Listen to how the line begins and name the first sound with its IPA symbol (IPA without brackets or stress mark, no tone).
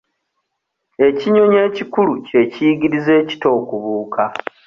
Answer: e̞